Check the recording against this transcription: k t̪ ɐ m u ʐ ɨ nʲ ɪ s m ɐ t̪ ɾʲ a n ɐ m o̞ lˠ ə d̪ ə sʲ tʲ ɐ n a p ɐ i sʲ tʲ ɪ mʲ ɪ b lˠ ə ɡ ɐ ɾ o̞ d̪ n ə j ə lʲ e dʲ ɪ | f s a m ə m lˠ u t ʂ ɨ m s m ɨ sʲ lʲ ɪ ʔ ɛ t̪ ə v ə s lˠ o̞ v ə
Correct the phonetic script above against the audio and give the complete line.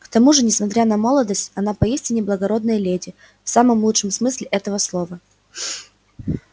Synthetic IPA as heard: k t̪ ɐ m u ʐ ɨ nʲ ɪ s m ɐ t̪ ɾʲ a n ɐ m o̞ lˠ ə d̪ ə sʲ tʲ ɐ n a p ɐ i sʲ tʲ ɪ nʲ ɪ b lˠ ə ɡ ɐ ɾ o̞ d̪ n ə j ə lʲ e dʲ ɪ | f s a m ə m lˠ u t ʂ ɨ m s m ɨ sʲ lʲ ɪ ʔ ɛ t̪ ə v ə s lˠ o̞ v ə